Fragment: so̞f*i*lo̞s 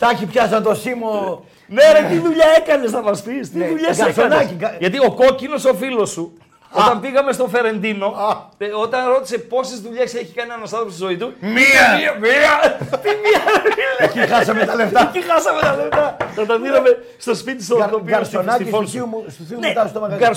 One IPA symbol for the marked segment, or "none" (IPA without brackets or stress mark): i